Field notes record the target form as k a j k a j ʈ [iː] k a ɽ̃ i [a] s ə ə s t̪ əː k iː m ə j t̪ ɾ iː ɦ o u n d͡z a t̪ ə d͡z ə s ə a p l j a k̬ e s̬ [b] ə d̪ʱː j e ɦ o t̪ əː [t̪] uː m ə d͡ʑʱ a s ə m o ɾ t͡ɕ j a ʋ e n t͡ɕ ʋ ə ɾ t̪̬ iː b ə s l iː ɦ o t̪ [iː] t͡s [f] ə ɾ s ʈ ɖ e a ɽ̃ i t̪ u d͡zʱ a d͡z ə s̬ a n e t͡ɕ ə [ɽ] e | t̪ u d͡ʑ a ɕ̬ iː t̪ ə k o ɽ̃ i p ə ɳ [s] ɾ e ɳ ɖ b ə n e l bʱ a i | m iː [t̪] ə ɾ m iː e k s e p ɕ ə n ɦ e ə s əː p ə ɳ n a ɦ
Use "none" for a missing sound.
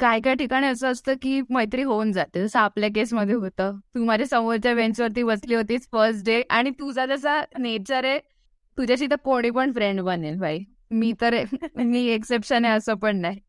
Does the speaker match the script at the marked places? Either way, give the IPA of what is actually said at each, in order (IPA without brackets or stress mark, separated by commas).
i, ə, m, t̪, iː, f, ɾ, f, t̪